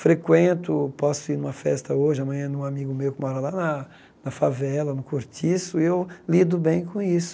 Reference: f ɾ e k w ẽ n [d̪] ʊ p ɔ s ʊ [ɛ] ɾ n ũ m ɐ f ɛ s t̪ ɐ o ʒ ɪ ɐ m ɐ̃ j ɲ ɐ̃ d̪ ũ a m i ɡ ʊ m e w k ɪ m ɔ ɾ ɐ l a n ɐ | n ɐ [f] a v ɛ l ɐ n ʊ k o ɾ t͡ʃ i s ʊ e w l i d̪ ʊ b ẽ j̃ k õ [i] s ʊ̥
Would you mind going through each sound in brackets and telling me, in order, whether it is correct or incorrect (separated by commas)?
incorrect, incorrect, correct, correct